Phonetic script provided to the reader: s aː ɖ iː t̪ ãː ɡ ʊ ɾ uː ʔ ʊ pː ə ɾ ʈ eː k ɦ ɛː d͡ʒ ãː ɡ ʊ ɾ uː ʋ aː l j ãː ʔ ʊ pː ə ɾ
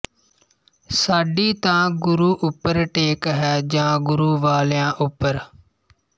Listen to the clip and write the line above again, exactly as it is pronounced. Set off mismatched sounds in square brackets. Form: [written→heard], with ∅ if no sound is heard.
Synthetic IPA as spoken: s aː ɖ iː t̪ ãː ɡ ʊ ɾ uː ʔ ʊ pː ə ɾ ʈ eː k ɦ ɛː d͡ʒ ãː ɡ ʊ ɾ uː ʋ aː l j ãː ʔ ʊ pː ə ɾ